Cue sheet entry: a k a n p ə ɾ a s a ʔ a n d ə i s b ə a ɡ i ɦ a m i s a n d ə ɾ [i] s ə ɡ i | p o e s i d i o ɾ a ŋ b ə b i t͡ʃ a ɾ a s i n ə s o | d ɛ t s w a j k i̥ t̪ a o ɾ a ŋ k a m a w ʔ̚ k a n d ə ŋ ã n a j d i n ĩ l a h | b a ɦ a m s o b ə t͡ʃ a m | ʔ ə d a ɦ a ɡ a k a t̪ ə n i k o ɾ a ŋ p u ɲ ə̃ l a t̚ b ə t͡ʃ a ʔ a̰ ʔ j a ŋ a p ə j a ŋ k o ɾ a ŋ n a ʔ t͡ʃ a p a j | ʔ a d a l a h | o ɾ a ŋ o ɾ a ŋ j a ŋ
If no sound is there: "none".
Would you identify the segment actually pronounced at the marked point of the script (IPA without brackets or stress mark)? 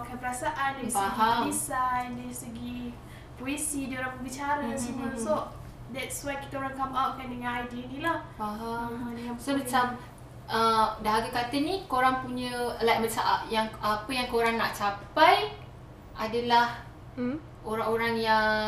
i